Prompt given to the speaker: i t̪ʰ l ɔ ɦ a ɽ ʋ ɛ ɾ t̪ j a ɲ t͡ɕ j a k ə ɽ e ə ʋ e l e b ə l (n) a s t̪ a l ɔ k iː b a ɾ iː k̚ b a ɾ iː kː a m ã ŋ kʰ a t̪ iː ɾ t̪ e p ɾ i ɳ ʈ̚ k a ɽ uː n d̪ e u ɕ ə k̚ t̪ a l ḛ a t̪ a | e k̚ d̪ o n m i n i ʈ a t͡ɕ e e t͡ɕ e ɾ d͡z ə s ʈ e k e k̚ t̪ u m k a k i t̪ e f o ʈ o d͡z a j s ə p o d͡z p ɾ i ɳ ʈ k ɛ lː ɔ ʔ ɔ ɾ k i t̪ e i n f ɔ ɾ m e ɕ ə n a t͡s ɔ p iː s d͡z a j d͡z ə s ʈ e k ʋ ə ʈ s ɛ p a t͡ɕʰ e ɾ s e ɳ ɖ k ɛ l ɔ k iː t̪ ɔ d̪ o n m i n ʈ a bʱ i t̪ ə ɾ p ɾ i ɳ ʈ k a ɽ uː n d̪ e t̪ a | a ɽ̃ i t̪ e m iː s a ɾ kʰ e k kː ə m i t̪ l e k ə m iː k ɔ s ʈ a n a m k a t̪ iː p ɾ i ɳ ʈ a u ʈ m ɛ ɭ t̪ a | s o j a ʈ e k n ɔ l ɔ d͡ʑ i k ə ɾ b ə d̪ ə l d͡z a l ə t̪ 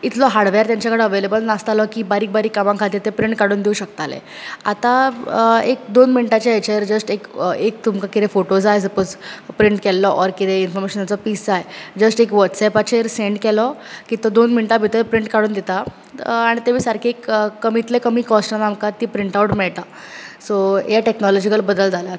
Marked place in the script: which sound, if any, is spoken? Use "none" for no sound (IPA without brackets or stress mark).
n